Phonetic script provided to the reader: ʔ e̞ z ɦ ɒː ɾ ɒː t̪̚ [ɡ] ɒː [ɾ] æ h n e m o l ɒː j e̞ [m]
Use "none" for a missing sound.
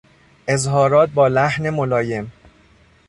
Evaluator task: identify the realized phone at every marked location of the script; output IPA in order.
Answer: b, l, m

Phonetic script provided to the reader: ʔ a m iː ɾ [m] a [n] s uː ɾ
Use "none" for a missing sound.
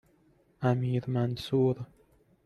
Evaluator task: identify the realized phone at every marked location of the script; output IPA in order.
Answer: m, n

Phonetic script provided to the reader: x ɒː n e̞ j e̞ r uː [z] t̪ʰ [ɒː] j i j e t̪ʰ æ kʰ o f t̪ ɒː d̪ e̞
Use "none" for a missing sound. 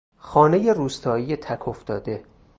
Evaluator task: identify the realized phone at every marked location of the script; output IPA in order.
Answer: s, ɒː

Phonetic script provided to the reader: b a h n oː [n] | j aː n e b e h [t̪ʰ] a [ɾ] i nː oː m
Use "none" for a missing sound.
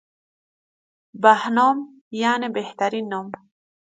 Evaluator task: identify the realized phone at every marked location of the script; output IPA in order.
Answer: m, t̪, ɾ

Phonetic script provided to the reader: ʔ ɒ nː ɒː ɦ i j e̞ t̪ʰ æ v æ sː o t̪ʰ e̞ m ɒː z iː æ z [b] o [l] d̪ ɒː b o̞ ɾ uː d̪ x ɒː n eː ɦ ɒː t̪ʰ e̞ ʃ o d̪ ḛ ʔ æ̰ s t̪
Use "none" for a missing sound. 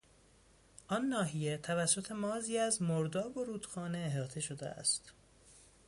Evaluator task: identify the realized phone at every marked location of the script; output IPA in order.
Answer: m, ɾ

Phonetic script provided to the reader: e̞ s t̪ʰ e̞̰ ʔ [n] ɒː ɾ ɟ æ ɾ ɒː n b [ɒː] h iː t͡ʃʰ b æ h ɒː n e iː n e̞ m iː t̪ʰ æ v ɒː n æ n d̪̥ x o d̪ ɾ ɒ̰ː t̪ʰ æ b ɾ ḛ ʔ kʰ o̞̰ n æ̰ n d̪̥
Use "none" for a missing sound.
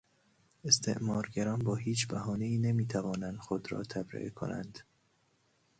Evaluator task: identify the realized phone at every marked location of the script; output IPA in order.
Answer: m, ɒː

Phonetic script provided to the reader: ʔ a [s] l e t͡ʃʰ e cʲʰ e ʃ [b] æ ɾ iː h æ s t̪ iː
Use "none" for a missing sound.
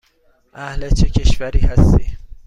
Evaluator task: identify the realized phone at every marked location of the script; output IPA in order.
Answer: h, v

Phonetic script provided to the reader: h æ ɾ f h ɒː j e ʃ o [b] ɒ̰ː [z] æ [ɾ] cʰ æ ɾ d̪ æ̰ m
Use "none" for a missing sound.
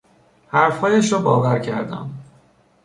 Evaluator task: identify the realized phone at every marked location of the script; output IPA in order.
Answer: b, v, ɾ

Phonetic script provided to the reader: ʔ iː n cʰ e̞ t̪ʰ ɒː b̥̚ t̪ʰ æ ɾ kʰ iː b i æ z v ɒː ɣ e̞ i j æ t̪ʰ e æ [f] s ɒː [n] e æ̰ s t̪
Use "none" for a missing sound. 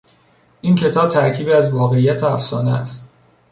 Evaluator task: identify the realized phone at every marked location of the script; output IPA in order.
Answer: f, n

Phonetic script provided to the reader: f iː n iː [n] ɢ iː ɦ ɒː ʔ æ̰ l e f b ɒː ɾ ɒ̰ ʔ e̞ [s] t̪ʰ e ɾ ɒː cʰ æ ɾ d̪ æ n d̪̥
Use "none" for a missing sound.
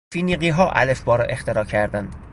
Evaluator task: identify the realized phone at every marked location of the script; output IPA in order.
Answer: none, x

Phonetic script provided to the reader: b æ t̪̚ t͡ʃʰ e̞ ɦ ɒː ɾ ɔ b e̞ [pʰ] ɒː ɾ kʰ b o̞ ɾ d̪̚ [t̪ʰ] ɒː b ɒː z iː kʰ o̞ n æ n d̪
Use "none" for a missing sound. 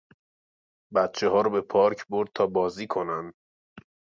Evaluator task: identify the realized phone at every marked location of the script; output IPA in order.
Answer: pʰ, t̪ʰ

